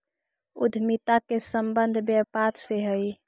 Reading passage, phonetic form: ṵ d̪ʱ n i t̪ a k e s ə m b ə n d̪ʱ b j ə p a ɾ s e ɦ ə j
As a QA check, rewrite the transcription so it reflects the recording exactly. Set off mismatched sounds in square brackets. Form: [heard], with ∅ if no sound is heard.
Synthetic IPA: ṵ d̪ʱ [m] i t̪ a k e s ə m b ə n d̪ʱ b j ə p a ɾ s e ɦ ə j